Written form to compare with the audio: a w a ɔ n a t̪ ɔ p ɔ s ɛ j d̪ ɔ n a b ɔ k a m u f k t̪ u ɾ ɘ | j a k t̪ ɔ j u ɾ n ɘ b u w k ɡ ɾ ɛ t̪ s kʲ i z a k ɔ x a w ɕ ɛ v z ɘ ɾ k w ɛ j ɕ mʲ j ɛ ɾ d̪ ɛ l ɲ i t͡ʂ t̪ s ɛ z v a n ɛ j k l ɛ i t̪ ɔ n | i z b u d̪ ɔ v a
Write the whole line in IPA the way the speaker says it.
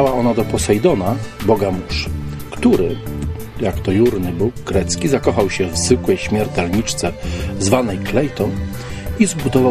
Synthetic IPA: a w a ɔ n a d̪ ɔ p ɔ s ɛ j d̪ ɔ n a b ɔ ɡ a m u ʂ k t̪ u ɾ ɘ | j a k t̪ ɔ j u ɾ n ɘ b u w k ɡ ɾ ɛ t̪ s kʲ i z a k ɔ x a w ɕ ɛ v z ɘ k w ɛ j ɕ mʲ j ɛ ɾ t̪ ɛ l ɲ i t͡ʂ t̪ s ɛ z v a n ɛ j k l ɛ j t̪ ɔ n | i z b u d̪ ɔ v a